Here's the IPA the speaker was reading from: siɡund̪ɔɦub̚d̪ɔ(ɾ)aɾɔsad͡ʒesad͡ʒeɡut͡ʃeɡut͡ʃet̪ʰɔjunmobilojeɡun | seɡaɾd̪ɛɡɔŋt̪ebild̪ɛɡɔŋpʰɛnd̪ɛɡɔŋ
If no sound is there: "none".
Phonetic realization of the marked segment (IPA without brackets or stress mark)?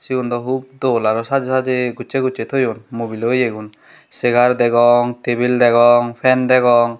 l